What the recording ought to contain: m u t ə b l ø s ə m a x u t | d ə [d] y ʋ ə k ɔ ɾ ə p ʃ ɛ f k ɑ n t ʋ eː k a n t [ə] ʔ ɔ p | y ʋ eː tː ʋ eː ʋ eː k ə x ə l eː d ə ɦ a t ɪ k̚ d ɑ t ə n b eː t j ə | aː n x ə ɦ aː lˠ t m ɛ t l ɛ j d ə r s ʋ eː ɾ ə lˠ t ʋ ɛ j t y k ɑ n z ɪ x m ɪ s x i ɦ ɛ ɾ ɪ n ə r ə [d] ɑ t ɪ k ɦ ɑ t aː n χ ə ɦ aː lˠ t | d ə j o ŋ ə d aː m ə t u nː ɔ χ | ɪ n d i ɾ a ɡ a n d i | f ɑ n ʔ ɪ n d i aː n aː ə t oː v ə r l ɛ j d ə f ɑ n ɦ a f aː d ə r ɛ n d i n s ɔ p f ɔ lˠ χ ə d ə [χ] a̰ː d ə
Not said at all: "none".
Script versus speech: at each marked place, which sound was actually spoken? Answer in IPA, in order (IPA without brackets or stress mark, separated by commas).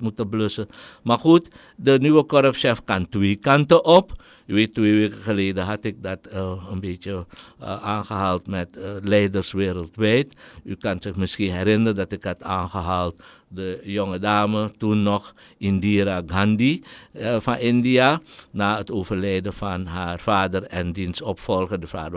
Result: n, ə, d, f